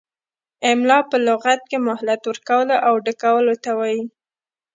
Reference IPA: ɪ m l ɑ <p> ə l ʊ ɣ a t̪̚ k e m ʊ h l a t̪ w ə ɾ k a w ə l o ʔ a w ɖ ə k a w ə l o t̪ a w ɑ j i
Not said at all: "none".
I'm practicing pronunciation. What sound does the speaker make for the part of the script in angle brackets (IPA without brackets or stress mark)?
p